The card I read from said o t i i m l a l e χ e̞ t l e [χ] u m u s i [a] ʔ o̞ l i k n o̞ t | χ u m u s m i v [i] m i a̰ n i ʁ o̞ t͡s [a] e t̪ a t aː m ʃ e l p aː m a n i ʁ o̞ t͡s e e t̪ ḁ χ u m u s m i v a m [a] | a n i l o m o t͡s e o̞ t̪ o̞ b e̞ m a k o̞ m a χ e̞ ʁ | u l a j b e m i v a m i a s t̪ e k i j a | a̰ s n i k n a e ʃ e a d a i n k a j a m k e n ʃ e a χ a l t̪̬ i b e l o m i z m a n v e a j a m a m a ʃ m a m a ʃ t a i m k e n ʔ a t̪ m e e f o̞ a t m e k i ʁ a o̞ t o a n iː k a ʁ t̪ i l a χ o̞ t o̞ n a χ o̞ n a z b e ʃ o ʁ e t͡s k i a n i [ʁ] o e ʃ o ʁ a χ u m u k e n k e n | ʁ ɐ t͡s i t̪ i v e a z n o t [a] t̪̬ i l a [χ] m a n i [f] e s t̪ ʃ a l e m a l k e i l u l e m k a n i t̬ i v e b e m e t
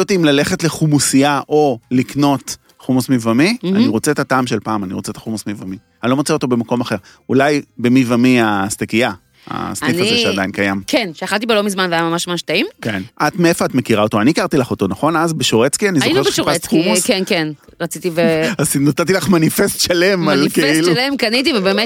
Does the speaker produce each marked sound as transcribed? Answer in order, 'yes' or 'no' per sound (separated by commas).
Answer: yes, yes, no, no, no, no, yes, yes, yes